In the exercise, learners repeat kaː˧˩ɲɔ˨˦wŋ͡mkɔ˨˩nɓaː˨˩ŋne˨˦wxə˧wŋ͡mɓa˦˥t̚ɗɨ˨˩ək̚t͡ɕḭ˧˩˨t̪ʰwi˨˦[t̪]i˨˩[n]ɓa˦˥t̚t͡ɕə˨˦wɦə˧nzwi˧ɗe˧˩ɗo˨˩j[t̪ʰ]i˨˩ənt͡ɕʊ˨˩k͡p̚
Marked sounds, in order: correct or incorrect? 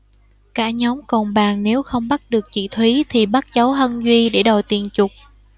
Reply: incorrect: t̪ʰ, incorrect: none, incorrect: t̪

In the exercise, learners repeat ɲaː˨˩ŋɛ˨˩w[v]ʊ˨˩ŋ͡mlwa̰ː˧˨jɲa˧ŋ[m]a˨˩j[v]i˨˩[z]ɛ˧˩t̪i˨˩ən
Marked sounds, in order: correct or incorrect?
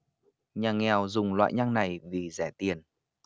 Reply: incorrect: z, incorrect: n, correct, correct

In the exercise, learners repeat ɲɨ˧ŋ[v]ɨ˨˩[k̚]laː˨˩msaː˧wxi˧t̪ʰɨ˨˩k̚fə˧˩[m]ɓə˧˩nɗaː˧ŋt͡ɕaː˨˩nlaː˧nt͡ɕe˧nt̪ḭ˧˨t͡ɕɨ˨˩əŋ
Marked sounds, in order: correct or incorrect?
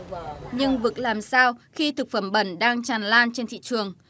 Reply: correct, correct, correct

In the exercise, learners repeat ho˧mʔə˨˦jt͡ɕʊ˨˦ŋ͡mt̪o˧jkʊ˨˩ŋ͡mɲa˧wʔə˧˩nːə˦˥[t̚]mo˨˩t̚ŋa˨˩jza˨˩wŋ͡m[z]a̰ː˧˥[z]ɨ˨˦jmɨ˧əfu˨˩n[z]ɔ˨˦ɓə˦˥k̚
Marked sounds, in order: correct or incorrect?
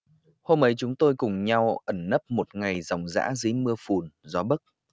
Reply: incorrect: p̚, correct, correct, correct

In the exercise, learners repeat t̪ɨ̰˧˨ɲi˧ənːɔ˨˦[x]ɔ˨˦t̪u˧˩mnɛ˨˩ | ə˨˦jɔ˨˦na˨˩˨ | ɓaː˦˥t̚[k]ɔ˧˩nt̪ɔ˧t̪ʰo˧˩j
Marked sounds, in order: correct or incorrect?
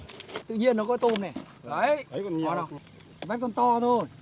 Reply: incorrect: k, correct

